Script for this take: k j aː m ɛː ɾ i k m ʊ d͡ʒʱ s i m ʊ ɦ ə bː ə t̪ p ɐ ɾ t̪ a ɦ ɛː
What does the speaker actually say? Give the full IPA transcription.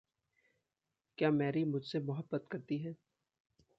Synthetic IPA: k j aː m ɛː ɾ i m ʊ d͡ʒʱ s e m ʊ ɦ ə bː ə t̪ k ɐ ɾ t̪ i ɦ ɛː